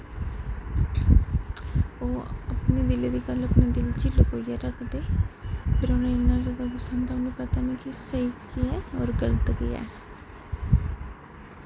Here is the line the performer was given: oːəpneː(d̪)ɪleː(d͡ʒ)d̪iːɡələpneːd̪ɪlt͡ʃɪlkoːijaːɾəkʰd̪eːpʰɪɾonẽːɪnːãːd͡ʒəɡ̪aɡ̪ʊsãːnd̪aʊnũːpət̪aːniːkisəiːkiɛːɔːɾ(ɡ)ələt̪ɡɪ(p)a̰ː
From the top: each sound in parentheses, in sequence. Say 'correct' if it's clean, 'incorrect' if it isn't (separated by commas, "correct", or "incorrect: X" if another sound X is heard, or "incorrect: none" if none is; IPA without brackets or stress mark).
correct, incorrect: none, correct, incorrect: none